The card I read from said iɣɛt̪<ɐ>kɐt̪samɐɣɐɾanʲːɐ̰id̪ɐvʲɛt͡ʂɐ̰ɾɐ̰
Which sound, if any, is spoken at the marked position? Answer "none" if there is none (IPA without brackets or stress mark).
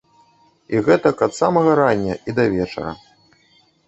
ɐ